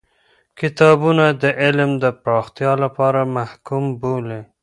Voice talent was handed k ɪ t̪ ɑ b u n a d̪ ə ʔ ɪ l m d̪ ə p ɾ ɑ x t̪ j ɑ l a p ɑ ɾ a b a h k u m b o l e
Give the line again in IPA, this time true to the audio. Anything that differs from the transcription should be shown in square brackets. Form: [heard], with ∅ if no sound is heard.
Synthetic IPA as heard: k ɪ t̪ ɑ b u n a d̪ ə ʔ ɪ l m d̪ ə p ɾ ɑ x t̪ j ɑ l a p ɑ ɾ a [m] a h k u m b o l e